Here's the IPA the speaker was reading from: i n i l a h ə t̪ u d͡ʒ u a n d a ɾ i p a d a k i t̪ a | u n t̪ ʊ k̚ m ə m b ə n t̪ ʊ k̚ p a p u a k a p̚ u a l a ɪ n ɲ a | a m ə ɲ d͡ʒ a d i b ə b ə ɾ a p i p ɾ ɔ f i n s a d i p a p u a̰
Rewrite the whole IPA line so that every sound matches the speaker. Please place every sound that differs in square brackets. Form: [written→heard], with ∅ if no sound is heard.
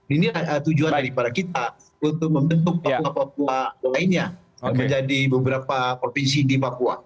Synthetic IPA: i n i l a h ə t̪ u d͡ʒ u a n d a ɾ i p a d a k i t̪ a | u n t̪ ʊ k̚ m ə m b ə n t̪ ʊ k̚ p a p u a [k→p] a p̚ u a l a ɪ n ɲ a | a m ə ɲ d͡ʒ a d i b ə b ə ɾ a p [i→a] p ɾ [ɔ→o] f i n s [a→i] d i p a p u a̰